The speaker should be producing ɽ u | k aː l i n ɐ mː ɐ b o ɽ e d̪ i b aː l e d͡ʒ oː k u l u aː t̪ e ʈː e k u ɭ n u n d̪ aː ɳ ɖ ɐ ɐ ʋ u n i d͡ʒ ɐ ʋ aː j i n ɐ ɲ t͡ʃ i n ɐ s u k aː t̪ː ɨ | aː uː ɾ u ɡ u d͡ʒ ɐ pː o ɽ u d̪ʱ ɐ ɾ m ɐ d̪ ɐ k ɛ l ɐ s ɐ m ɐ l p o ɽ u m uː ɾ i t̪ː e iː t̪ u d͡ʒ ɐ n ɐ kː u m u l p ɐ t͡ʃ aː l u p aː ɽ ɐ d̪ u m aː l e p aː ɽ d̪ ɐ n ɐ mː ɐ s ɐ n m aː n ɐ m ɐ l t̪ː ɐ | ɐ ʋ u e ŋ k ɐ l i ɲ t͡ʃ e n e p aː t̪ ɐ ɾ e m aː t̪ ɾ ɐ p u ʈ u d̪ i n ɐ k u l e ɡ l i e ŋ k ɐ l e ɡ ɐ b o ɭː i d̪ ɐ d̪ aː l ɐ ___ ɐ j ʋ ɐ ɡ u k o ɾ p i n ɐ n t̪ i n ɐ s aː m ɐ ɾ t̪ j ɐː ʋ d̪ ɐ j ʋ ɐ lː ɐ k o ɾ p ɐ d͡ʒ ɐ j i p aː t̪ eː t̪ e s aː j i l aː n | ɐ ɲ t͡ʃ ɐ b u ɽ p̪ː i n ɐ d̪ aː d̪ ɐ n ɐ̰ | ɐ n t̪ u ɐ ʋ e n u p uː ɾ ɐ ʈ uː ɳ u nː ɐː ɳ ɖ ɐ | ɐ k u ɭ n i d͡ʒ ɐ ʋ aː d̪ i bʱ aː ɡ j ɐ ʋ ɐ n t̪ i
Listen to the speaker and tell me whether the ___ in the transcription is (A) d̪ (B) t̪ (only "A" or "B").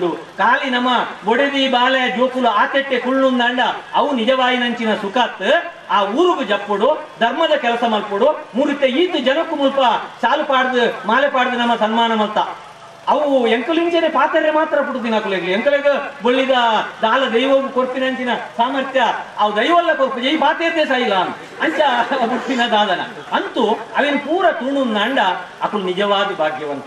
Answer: A